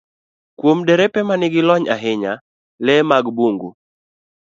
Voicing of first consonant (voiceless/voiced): voiceless